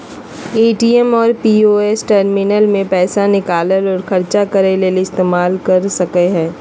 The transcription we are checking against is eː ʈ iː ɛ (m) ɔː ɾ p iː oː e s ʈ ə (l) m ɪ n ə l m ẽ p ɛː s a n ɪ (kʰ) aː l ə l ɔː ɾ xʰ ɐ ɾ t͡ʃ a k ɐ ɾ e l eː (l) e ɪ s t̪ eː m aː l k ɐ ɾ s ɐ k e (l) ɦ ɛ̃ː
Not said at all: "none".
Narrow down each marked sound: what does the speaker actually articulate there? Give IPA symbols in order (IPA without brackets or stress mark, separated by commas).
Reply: m, ɾ, k, l, none